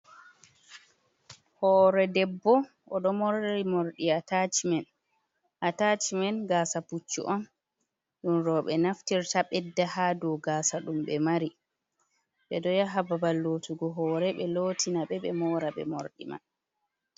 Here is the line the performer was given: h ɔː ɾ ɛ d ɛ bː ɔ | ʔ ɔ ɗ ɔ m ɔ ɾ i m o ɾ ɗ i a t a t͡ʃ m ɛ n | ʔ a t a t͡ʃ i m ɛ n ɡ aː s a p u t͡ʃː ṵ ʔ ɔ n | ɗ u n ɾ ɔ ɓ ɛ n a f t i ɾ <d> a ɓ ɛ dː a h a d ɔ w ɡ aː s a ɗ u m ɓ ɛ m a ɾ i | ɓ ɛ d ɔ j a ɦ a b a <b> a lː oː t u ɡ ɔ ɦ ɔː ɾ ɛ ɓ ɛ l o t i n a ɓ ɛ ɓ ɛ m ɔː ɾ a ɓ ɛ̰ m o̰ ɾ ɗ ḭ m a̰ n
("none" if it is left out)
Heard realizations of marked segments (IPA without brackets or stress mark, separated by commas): t, b